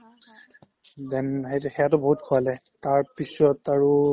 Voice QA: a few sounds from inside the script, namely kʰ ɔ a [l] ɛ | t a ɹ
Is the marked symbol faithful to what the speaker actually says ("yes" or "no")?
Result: yes